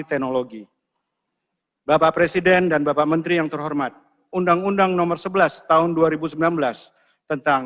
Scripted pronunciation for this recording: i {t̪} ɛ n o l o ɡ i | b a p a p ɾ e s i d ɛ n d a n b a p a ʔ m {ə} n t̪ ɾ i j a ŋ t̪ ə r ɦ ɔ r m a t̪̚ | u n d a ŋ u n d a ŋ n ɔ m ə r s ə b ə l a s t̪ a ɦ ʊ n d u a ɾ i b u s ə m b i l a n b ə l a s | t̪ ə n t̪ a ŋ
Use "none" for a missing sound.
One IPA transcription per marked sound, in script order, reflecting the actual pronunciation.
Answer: t̪, ə

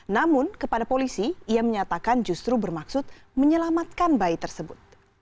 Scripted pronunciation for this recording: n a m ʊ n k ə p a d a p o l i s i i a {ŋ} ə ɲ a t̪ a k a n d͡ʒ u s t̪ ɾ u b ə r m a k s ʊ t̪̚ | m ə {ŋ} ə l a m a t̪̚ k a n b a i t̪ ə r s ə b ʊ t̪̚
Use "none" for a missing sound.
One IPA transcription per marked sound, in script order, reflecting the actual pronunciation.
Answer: m, ɲ

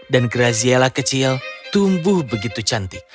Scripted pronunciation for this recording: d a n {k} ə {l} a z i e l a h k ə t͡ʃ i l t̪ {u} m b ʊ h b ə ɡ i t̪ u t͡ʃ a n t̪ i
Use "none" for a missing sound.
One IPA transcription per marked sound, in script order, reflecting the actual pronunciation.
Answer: ɡ, ɾ, u

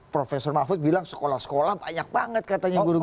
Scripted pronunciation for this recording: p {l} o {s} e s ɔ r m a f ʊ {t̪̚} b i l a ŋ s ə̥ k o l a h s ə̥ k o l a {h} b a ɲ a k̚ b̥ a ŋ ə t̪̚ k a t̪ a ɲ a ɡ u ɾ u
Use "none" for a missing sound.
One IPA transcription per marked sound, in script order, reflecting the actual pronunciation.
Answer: ɾ, f, t̪̚, h

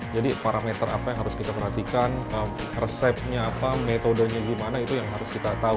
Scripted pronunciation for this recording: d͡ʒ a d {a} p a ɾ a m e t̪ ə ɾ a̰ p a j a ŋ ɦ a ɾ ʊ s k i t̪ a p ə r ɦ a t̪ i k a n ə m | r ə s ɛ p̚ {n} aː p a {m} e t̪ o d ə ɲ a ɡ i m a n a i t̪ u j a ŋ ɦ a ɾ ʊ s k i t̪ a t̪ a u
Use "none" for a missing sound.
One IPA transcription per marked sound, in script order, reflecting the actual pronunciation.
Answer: i, ɲ, m

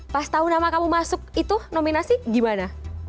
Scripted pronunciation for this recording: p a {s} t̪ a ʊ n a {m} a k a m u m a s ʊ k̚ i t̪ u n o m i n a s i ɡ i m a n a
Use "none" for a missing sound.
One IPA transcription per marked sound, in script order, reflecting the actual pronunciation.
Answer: s, m

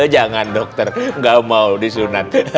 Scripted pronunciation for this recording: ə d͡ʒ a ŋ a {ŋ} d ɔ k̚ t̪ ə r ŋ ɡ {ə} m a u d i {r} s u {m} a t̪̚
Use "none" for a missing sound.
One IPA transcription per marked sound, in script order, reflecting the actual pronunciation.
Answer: n, a, none, n

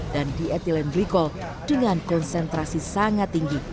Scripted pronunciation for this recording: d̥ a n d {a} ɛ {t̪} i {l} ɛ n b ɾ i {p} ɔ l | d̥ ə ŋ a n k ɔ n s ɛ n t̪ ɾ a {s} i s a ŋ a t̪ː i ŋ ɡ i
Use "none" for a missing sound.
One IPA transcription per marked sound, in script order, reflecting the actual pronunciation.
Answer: i, t̪, l, k, s

